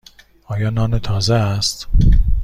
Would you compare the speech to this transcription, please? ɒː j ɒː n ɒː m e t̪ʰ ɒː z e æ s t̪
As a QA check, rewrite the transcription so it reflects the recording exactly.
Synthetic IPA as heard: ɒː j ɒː n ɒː n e t̪ʰ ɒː z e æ s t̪

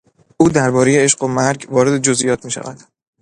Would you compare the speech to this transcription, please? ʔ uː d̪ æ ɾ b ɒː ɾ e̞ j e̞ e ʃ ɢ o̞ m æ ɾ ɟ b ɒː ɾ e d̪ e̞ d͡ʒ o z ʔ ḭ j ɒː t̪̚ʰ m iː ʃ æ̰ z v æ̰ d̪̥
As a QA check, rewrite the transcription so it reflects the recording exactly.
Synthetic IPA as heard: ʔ uː d̪ æ ɾ b ɒː ɾ e̞ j e̞ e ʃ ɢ o̞ m æ ɾ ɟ v ɒː ɾ e d̪ e̞ d͡ʒ o z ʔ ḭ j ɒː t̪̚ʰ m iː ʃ æ̰ v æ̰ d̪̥

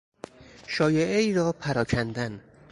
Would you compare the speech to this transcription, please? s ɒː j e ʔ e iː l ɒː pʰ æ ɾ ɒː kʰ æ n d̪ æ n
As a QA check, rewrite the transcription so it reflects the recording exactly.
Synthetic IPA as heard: ʃ ɒː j e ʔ e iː ɾ ɒː pʰ æ ɾ ɒː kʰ æ n d̪ æ n

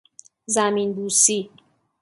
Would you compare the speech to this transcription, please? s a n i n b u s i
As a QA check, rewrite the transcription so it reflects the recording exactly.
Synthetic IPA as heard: z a m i n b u s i

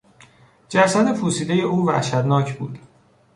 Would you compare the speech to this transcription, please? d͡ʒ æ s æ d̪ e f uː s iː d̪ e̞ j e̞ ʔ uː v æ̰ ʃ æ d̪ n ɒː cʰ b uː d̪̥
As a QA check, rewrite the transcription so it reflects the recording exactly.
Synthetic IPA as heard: d͡ʒ æ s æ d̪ e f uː s iː d̪ e̞ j e̞ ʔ uː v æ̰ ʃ æ d̪ n ɒː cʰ b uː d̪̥

